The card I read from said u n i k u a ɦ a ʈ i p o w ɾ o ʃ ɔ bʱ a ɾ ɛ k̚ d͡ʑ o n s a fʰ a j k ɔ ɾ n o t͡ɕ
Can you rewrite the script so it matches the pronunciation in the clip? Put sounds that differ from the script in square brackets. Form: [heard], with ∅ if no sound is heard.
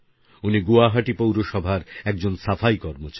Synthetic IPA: u n i [ɡ] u a ɦ a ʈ i p o w ɾ o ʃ ɔ bʱ a ɾ ɛ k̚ d͡ʑ o n s a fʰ a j k ɔ ɾ [m] o t͡ɕ